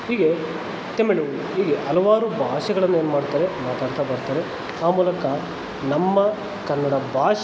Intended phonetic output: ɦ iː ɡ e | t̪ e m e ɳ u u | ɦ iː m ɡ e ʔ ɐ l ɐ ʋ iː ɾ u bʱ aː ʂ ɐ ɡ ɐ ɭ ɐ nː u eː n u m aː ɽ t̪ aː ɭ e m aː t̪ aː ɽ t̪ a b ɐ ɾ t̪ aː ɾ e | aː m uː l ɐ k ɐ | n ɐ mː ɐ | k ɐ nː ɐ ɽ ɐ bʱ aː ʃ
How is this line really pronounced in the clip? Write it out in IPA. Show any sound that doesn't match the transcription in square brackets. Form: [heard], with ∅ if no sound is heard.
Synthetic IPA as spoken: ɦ iː ɡ e | t̪ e m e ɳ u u | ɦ iː [∅] ɡ e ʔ ɐ l ɐ ʋ [aː] ɾ u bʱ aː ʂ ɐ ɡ ɐ ɭ ɐ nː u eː n u m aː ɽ t̪ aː [ɾ] e m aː t̪ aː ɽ t̪ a b ɐ ɾ t̪ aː ɾ e | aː m uː l ɐ k ɐ | n ɐ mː ɐ | k ɐ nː ɐ ɽ ɐ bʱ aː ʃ